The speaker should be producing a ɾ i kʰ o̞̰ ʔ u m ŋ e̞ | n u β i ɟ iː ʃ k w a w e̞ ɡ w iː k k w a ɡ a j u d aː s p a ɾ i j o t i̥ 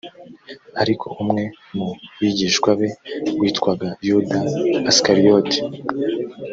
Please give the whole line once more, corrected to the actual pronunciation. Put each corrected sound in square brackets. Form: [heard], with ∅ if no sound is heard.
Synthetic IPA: a ɾ i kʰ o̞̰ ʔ u m ŋ e̞ | [m] u β i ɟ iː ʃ k w a [β] e̞ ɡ w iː [t] k w a ɡ a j u d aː s [k] a ɾ i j o t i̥

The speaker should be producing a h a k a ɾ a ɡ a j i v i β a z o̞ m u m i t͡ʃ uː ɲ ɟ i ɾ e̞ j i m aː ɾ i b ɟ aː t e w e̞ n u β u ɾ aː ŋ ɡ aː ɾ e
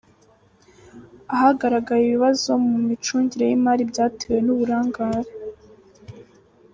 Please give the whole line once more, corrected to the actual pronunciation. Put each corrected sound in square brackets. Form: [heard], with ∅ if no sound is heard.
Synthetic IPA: a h a [ɡ] a ɾ a ɡ a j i [β] i β a z o̞ m u m i t͡ʃ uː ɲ ɟ i ɾ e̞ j i m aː ɾ i b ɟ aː t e w e̞ n u β u ɾ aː ŋ ɡ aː ɾ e

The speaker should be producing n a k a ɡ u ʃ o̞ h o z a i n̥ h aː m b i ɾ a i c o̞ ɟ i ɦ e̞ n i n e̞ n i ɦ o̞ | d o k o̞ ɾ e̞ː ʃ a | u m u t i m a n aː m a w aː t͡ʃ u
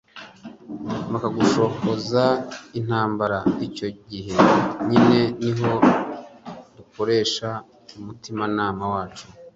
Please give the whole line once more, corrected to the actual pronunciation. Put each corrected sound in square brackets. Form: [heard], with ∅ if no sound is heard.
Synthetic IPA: [m] a k a ɡ u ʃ o̞ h o z a i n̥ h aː m b [a] ɾ a i c o̞ ɟ i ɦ e̞ [ɲ] i n e̞ n i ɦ o̞ | d [u] k o̞ ɾ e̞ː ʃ a | u m u t i m a n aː m a w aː t͡ʃ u

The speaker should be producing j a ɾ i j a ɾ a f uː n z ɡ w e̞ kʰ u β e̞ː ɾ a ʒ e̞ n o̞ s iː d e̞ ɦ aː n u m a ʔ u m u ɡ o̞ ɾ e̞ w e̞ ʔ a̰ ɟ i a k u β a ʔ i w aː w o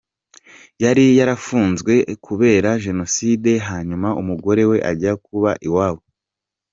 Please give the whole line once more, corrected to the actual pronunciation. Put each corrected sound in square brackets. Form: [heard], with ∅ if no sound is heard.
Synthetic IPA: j a ɾ i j a ɾ a f uː n z ɡ w e̞ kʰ u β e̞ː ɾ a ʒ e̞ n o̞ s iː d e̞ ɦ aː [ɲ] u m a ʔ u m u ɡ o̞ ɾ e̞ w e̞ ʔ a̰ ɟ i a k u β a ʔ i w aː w o

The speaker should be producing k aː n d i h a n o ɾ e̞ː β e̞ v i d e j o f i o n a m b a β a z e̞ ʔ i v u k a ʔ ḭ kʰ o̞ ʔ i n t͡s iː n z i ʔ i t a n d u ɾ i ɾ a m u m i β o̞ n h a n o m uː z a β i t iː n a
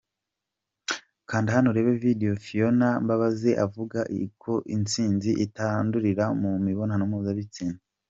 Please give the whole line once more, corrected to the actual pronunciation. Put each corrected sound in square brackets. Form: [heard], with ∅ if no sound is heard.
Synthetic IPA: k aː n d i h a n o ɾ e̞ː β e̞ v i d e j o f i o n a m b a β a z e̞ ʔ [a] v u [ɡ] a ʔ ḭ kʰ o̞ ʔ i n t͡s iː n z i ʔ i t a n d u ɾ i ɾ a m u m i β o̞ n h a n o m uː z a β i [t͡s] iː n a

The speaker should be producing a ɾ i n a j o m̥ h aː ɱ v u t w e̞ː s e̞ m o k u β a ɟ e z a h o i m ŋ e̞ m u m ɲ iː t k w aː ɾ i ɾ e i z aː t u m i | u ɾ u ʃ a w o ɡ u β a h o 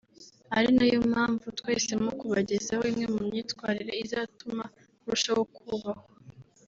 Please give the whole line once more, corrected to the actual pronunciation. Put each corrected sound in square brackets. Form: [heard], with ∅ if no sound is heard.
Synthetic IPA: a ɾ i n a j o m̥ h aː ɱ v u t w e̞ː s e̞ m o k u β a ɟ e z a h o i m ŋ e̞ m u m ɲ iː t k w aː ɾ i ɾ e i z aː t u m [a] | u ɾ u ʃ a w o [k] u β a h o

